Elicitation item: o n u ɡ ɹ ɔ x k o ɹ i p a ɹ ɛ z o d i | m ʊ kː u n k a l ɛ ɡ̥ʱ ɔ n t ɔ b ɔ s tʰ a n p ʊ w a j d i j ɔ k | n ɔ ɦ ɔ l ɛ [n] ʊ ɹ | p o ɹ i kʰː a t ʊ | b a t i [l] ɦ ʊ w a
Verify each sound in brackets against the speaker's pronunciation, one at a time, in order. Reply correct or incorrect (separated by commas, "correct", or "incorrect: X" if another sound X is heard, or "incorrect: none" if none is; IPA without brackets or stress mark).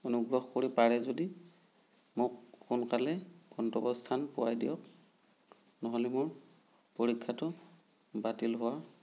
incorrect: m, correct